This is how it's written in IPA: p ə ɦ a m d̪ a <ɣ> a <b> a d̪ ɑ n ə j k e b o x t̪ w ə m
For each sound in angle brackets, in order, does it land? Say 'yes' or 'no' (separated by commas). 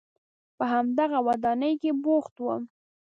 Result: yes, no